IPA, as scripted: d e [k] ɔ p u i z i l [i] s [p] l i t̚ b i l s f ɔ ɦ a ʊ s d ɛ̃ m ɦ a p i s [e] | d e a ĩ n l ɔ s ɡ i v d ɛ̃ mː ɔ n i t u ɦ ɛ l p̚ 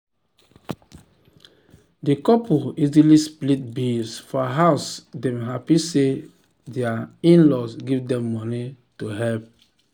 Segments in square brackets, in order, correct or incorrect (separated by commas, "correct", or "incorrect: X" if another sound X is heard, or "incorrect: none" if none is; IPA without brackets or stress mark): correct, correct, correct, correct